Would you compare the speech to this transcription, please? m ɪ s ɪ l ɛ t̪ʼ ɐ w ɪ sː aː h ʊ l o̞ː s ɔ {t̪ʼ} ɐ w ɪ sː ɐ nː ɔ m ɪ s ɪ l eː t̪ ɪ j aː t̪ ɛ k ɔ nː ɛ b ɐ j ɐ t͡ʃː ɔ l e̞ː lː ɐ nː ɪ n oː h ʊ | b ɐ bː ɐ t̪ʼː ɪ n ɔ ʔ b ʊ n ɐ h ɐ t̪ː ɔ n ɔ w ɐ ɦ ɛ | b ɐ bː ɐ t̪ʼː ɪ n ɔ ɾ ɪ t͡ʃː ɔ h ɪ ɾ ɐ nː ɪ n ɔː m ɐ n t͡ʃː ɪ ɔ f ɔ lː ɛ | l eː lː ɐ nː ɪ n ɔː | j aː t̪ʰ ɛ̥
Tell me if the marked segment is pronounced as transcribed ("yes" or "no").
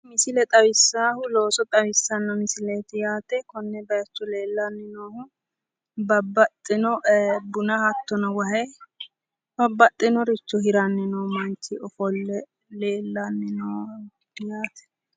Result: yes